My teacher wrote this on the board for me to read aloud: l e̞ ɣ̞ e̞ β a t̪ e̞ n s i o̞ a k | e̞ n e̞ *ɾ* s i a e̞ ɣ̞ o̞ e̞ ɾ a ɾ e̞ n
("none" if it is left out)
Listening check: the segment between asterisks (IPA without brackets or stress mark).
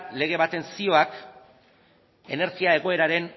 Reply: ɾ